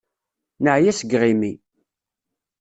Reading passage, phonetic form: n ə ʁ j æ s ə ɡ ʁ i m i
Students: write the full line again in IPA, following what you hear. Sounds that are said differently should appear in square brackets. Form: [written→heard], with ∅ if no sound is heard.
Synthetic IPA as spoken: n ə [ʁ→ʕ] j æ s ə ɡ ʁ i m i